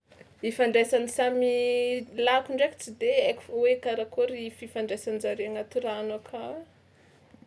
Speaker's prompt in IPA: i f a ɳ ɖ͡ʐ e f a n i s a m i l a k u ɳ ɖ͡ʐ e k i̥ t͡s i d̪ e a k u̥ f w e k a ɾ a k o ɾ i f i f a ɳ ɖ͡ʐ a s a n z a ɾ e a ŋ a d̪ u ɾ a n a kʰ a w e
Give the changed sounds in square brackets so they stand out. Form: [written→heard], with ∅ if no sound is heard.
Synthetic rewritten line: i f a ɳ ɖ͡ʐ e [f→s] a n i s a m i l a k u ɳ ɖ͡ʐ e k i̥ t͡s i d̪ e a k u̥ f w e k a ɾ a k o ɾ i f i f a ɳ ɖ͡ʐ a s a n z a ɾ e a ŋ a [d̪→t̪] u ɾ a n a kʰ a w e

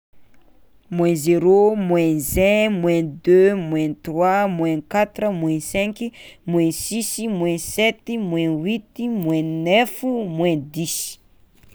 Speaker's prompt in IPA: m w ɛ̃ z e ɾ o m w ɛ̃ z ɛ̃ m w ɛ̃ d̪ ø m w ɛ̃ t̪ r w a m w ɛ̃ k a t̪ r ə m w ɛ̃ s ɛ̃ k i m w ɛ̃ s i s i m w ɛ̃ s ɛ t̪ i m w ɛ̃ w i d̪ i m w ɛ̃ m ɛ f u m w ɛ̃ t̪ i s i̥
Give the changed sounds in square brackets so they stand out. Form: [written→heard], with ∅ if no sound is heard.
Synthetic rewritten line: m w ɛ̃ z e ɾ o m w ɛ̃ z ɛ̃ m w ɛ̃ d̪ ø m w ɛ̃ t̪ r w a m w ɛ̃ k a t̪ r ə m w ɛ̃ s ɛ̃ k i m w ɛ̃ s i s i m w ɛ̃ s ɛ t̪ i m w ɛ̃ w i [d̪→t̪] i m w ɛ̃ [m→n] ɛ f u m w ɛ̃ [t̪→d̪] i s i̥

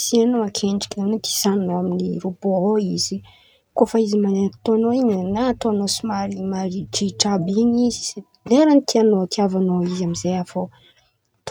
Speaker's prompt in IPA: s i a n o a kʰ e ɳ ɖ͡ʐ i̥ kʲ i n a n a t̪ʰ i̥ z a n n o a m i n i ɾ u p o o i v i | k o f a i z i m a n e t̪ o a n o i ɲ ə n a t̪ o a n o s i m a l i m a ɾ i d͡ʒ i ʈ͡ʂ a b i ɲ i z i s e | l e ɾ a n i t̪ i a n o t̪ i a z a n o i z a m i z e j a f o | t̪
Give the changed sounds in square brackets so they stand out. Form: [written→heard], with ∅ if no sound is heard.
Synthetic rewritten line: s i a n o a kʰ e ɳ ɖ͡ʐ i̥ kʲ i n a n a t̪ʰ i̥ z a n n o a m i n i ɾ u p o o i [v→z] i | k o f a i z i m a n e t̪ o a n o i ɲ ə n a t̪ o a n o s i m a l i m a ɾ i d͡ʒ i ʈ͡ʂ a b i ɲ i z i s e | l e ɾ a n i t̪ i a n o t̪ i a [z→v] a n o i z a m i z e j a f o | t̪

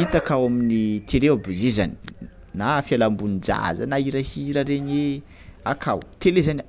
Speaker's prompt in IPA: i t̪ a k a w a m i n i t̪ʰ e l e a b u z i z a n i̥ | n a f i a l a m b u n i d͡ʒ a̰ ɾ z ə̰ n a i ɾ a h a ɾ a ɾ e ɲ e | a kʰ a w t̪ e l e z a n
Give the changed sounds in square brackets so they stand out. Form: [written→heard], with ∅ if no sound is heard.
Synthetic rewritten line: i t̪ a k a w a m i n i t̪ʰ e l e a b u z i z a n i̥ | n a f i a l a m b u n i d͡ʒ a̰ [ɾ→∅] z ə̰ n a i ɾ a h [a→i] ɾ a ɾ e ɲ e | a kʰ a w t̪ e l e z a n

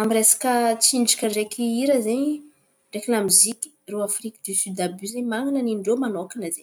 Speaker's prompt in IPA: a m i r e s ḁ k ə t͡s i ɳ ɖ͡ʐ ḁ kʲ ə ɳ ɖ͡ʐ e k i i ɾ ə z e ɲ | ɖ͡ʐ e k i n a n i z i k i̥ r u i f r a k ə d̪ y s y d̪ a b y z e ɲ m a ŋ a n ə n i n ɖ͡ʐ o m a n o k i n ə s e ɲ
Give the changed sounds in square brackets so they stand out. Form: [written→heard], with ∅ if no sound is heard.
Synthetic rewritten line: a m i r e s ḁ k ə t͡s i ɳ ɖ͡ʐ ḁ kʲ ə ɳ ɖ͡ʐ e k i i ɾ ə z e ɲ | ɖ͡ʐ e k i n a [n→m] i z i k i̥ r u [i→a] f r [a→i] k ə d̪ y s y d̪ a b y z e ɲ m a ŋ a n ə n i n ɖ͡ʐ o m a n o k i n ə [s→z] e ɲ

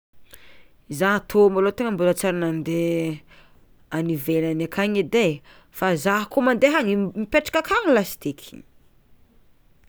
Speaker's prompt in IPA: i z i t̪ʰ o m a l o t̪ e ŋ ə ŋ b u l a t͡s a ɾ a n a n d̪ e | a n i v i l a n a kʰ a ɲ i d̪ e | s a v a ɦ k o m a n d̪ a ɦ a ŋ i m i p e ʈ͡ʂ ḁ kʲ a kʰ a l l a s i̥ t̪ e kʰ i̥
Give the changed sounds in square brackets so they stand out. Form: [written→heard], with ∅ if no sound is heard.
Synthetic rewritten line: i z [i→a] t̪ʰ o m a l o t̪ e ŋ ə [ŋ→m] b u l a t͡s a ɾ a n a n d̪ e | a n i v [i→e] l a n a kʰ a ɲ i d̪ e | [s→f] a [v→z] a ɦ k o m a n d̪ [a→e] ɦ a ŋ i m i p e ʈ͡ʂ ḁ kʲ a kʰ a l l a s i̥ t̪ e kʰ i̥

